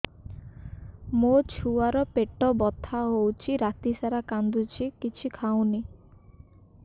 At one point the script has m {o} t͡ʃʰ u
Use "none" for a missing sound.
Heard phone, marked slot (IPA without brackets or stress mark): o